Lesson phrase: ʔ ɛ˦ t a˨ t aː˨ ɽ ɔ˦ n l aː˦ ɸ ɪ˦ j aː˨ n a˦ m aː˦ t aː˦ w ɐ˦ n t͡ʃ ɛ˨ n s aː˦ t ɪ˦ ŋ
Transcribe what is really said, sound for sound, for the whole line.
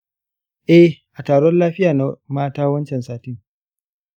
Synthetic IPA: ʔ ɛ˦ ʔ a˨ t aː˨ ɽ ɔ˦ n l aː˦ ɸ ɪ˦ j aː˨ n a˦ m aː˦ t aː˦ w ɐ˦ n t͡ʃ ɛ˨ n s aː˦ t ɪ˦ ŋ